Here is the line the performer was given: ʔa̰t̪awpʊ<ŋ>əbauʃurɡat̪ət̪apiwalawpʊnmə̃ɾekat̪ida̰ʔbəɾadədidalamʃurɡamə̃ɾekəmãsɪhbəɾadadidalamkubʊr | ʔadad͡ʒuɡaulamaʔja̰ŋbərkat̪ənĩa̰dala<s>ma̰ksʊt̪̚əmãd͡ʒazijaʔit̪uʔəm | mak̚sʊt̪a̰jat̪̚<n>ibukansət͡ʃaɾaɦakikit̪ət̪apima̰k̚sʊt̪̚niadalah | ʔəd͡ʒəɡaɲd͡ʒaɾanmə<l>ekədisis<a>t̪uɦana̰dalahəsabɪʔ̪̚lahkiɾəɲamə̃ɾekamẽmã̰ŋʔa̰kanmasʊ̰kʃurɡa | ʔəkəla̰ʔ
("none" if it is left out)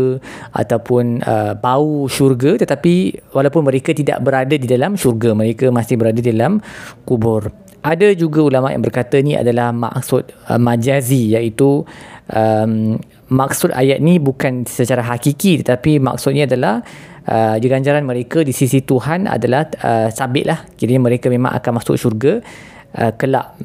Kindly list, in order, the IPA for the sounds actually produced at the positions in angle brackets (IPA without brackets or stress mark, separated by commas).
n, h, n, ɾ, i